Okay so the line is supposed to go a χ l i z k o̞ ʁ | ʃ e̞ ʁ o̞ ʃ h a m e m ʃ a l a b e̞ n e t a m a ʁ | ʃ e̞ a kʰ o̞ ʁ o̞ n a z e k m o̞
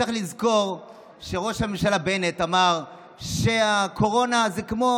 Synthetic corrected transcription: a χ l i z k o̞ ʁ | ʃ e̞ ʁ o̞ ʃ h a m e m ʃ a l a b e̞ n e t a m a ʁ | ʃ e̞ a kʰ o̞ ʁ o̞ n a z e k m o̞